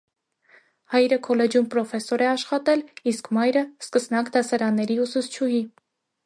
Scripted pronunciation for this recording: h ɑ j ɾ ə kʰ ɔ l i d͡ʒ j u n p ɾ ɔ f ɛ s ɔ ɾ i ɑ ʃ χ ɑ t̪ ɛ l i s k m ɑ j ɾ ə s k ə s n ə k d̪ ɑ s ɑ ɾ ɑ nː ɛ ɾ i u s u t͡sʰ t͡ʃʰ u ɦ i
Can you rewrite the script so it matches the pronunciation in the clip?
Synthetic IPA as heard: h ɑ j ɾ ə kʰ ɔ l ɛ d͡ʒ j u m p ɾ ɔ f ɛ s ɔ ɾ ɛ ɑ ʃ χ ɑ t̪ ɛ l i s k m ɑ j ɾ ə s k ə s n ɑ k d̪ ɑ s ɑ ɾ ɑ nː ɛ ɾ i u s u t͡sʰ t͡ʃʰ u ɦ i

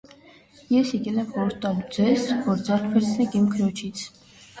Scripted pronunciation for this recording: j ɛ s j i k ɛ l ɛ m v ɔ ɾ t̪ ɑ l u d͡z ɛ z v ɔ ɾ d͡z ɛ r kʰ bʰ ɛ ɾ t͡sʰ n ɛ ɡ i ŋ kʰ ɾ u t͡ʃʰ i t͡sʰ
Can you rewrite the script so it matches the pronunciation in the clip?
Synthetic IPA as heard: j ɛ s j ɛ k ɛ l ɛ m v ɔ ɾ t̪ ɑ l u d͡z ɛ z v ɔ ɾ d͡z ɛ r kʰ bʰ ɛ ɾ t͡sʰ n ɛ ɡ i m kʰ ɾ ɔ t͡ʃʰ i t͡sʰ

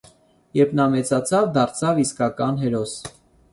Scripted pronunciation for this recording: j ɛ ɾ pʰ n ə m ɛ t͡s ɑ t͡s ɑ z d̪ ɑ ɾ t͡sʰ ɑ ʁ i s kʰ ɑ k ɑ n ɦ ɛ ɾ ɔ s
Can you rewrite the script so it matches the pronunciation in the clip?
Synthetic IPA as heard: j ɛ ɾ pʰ n ɑ m ɛ t͡s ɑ t͡sʰ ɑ v d̪ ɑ ɾ t͡sʰ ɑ v i s k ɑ k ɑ n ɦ ɛ ɾ ɔ s

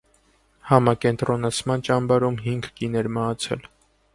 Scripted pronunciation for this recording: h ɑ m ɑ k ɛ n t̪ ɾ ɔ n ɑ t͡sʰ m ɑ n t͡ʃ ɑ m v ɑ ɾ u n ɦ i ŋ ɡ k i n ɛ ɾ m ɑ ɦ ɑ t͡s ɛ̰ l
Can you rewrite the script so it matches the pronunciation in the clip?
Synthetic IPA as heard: h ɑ m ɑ k ɛ n t̪ ɾ ɔ n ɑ t͡sʰ m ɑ n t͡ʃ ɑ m b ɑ ɾ u m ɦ i ŋ ɡ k i n ɛ ɾ m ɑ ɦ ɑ t͡sʰ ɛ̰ l

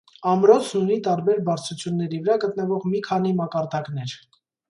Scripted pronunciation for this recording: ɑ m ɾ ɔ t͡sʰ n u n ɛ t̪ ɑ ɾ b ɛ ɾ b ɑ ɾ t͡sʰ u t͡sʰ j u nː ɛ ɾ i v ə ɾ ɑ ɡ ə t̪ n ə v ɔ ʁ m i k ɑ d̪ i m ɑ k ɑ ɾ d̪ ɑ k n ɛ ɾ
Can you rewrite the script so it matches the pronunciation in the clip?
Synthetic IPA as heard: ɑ m ɾ ɔ t͡sʰ n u n i t̪ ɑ ɾ b ɛ ɾ b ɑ ɾ t͡sʰ u t͡sʰ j u nː ɛ ɾ i v ə ɾ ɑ ɡ ə t̪ n ə v ɔ ʁ m i kʰ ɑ n̪ i m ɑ k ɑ ɾ d̪ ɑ k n ɛ ɾ

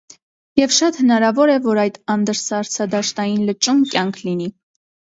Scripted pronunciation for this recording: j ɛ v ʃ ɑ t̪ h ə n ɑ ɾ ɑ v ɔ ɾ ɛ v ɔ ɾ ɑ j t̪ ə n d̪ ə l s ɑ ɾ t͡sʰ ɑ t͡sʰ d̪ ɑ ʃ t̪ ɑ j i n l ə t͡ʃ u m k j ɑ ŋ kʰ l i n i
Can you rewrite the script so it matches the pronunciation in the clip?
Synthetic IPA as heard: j ɛ v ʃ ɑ t̪ h ə n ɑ ɾ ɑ v ɔ ɾ ɛ v ɔ ɾ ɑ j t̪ ɑ n d̪ ə ɾ s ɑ ɾ t͡sʰ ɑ d̪ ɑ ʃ t̪ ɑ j i n l ə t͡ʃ u m k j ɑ ŋ kʰ l i n i

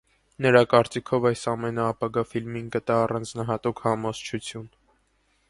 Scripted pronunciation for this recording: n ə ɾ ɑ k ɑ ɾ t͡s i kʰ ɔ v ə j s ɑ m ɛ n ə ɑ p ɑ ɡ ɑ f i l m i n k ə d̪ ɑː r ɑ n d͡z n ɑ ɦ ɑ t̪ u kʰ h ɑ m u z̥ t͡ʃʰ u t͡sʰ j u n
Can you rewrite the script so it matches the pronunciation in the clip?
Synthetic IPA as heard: n ə ɾ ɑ k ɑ ɾ t͡s i kʰ ɔ v ɑ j s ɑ m ɛ n ə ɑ p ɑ ɡ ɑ f i l m i n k ə t̪ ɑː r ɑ n d͡z n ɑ ɦ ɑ t̪ u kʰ h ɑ m ɔ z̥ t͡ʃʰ u t͡sʰ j u n

